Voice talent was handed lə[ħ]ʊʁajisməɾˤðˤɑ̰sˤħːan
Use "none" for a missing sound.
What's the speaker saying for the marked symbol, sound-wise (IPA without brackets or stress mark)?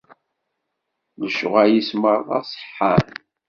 ʃ